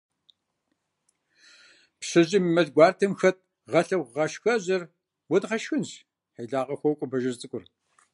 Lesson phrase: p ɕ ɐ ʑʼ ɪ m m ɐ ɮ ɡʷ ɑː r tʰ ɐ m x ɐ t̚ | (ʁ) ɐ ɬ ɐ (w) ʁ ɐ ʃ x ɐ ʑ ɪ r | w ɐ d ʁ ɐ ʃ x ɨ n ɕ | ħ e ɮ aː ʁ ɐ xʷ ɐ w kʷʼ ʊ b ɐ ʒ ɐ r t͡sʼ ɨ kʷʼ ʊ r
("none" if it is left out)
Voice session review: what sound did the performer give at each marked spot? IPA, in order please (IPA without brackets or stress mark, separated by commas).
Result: ʁ, w